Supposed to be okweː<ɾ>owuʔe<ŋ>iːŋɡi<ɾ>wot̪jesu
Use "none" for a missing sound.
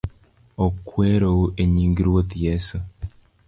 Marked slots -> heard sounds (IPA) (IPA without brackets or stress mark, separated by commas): ɾ, ɲ, ɾ